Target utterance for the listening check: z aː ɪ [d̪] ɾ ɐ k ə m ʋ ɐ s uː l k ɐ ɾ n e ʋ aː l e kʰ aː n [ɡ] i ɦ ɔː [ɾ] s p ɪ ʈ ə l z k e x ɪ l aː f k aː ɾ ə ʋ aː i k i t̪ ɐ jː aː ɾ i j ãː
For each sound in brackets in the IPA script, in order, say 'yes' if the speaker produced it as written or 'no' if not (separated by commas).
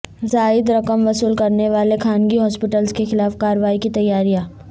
yes, yes, no